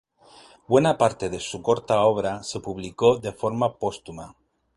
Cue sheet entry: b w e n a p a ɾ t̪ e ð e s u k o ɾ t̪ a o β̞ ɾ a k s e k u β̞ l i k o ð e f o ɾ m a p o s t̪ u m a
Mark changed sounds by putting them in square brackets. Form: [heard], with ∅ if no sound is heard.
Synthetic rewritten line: b w e n a p a ɾ t̪ e ð e s u k o ɾ t̪ a o β̞ ɾ a [∅] s e [p] u β̞ l i k o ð e f o ɾ m a p o s t̪ u m a